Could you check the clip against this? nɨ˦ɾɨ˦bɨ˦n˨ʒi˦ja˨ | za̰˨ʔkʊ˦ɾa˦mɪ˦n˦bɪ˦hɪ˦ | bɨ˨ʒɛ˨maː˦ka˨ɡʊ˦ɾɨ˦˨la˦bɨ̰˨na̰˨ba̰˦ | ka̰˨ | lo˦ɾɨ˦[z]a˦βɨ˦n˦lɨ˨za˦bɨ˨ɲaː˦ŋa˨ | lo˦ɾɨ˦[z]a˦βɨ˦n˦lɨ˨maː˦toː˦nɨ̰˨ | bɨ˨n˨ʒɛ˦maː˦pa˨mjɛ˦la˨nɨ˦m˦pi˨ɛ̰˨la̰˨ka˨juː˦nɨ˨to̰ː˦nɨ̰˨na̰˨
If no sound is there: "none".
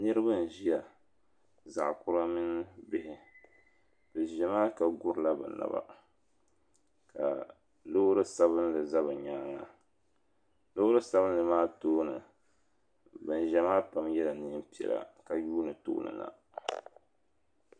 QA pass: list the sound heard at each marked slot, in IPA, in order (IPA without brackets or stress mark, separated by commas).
s, s